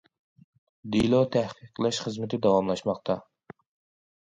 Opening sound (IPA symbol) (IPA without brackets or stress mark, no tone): d̪